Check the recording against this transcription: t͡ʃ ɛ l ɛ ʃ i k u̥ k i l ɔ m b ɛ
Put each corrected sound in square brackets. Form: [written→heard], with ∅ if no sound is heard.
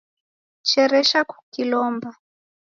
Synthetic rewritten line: t͡ʃ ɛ [l→ɾ] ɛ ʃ [i→a] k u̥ k i l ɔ m b [ɛ→a]